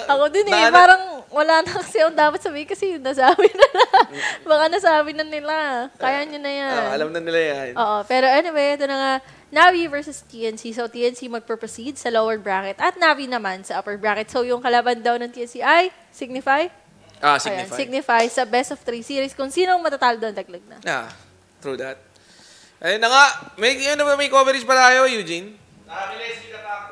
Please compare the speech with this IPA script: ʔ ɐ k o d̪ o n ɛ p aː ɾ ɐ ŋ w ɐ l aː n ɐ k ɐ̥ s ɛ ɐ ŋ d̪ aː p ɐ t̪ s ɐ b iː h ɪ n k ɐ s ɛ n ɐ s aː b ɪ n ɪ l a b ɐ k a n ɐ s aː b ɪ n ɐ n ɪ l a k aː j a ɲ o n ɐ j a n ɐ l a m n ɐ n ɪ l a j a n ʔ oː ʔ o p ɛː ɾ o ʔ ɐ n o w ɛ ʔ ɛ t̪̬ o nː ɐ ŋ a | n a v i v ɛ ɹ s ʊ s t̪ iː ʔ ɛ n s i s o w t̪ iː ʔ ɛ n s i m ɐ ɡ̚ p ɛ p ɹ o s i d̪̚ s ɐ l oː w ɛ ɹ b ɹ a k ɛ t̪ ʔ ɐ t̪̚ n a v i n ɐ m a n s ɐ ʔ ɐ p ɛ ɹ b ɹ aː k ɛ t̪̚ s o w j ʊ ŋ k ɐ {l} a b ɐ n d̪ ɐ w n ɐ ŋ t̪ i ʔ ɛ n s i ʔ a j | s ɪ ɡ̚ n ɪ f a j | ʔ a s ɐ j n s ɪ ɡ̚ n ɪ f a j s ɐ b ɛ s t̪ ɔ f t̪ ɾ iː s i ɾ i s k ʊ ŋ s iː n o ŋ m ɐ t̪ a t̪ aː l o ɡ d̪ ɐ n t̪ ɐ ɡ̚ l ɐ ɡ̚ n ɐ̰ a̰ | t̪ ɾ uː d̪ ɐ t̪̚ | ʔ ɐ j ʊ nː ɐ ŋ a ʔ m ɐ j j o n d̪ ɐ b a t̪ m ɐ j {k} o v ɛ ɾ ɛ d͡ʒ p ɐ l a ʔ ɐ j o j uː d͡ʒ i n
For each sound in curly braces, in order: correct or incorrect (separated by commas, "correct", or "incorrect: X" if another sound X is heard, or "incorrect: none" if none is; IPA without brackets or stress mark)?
correct, correct